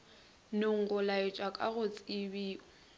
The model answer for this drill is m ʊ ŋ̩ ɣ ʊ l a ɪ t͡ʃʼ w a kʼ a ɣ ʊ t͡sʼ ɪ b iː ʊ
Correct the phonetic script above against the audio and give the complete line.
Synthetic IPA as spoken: n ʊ ŋ̩ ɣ ʊ l a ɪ t͡ʃʼ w a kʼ a ɣ ʊ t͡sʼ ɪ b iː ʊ

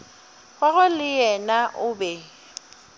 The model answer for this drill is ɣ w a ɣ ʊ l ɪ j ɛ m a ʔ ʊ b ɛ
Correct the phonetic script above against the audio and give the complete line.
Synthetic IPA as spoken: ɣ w a ɣ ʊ l ɪ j ɛ n a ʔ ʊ b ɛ

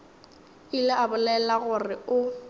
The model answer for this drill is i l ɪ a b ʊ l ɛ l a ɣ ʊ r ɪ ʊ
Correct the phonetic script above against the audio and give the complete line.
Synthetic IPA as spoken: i l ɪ a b ʊ l ɛ l a ɣ ʊ r ɪ ʊ

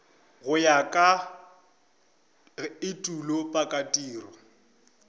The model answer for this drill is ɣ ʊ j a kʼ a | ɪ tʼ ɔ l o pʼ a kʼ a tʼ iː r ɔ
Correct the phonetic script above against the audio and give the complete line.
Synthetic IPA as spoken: ɣ ʊ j a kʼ a | ɪ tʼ u l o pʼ a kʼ a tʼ iː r ɔ

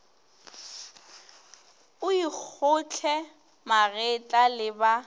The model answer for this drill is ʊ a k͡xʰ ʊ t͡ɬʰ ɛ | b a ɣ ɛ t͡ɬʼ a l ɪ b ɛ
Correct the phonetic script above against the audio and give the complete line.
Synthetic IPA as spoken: ʊ i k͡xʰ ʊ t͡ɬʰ ɛ | m a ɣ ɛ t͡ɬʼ a l ɪ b a

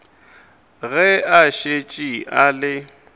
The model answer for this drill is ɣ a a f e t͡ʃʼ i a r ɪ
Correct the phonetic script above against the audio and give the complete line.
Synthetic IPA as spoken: ɣ ɛ a ʃ e t͡ʃʼ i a l ɪ

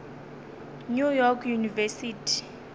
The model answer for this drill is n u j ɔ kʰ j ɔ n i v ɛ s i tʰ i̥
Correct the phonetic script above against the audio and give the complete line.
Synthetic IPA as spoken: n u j ɔ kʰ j u n i v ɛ s i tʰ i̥

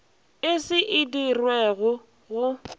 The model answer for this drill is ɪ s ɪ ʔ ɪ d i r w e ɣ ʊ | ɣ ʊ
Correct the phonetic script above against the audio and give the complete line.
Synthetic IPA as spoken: ɪ s ɪ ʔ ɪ d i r w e ɣ ʊ | ɣ ʊ

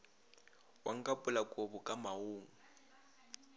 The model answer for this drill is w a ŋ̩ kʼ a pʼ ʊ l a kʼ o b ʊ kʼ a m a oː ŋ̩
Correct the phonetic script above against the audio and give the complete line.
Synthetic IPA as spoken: w a ŋ̩ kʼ a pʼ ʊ l a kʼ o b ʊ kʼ a m a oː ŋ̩

